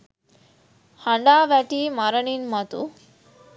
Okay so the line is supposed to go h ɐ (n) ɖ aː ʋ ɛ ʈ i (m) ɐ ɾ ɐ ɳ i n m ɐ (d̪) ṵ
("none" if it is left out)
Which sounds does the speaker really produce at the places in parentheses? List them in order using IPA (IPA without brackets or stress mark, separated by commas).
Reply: ɳ, m, t̪